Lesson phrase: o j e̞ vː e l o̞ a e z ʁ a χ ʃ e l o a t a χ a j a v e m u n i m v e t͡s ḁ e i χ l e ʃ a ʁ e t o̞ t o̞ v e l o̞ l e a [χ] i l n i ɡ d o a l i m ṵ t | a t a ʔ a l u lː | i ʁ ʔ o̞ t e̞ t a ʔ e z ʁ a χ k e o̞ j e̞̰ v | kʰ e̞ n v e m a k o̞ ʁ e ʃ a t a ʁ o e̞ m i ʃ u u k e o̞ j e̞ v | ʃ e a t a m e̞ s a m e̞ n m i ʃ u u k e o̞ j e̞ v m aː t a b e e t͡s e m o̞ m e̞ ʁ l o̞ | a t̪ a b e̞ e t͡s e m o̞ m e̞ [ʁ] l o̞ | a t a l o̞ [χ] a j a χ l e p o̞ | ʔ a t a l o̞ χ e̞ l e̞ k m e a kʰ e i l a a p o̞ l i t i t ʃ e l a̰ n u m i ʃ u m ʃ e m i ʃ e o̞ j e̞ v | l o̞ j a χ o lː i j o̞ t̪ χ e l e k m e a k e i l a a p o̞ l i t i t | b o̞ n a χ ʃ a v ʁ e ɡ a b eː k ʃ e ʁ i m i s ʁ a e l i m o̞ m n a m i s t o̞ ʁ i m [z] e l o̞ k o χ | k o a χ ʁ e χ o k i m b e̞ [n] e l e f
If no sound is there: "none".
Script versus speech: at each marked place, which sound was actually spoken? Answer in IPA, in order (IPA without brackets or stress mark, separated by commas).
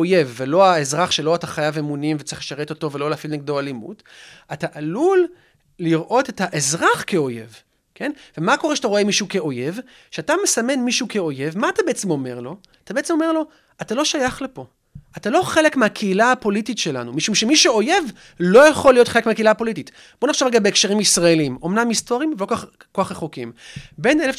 f, ʁ, ʃ, v, n